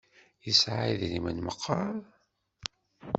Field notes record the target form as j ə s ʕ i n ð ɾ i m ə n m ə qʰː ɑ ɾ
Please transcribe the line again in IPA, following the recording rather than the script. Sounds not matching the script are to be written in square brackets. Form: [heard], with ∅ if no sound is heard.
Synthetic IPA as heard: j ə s ʕ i [∅] ð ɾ i m ə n m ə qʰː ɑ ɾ

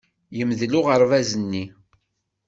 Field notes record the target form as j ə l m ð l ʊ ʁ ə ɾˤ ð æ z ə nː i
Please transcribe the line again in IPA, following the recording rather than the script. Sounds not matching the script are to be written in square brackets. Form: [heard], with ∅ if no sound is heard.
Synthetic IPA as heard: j ə [∅] m ð l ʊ ʁ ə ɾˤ [v] æ z ə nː i

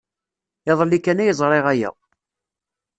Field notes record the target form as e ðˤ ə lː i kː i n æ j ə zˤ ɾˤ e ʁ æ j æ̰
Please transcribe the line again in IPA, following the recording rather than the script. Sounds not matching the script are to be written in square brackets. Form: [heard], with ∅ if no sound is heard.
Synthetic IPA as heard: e ðˤ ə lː i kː [æ] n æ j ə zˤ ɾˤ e ʁ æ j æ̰

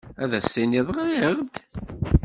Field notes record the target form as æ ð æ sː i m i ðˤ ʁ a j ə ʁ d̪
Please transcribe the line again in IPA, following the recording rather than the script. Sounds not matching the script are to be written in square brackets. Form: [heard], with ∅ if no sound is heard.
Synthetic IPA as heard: æ ð æ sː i [n] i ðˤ ʁ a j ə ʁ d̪

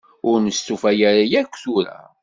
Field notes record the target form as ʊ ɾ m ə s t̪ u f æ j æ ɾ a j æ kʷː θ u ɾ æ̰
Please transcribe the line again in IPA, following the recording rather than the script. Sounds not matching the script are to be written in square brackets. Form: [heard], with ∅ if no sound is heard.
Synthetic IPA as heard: ʊ ɾ [n] ə s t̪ u f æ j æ ɾ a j æ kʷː θ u ɾ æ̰

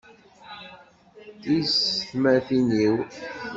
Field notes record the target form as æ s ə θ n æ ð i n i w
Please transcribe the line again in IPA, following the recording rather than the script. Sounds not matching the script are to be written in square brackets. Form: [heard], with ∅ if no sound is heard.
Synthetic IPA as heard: [i] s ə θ [m] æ [θ] i n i w

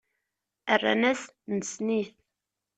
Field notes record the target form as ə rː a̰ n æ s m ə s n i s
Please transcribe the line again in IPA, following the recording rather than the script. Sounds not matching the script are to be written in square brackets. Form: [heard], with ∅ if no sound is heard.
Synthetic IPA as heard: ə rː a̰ n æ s [n] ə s n i [θ]

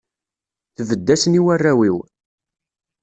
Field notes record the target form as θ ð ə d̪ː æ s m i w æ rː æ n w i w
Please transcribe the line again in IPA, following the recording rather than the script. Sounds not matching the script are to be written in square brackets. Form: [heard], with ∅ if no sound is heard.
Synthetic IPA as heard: θ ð ə d̪ː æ s [n] i w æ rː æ [∅] w i w

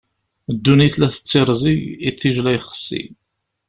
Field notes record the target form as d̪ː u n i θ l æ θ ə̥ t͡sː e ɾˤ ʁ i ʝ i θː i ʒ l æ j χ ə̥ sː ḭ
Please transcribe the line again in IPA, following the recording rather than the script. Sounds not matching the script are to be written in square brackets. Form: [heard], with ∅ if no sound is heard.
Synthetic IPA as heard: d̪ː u n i θ l æ θ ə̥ t͡sː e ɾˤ [z] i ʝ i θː i ʒ l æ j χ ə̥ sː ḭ

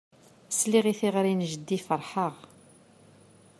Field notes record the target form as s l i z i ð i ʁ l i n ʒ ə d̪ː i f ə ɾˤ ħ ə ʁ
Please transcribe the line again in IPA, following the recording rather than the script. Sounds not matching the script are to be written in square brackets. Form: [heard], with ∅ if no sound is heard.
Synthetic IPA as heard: s l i [ʁ] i [θ] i ʁ [ɾ] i n ʒ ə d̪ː i f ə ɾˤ ħ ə ʁ

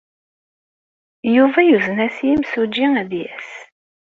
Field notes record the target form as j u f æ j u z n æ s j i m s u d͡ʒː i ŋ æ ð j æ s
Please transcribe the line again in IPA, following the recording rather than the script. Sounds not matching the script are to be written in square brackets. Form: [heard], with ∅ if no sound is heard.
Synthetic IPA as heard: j u [v] æ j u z n æ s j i m s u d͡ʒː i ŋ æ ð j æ s

